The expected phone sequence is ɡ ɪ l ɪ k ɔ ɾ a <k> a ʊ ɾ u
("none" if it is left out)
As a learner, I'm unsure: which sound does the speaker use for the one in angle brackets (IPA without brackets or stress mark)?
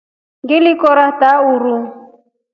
t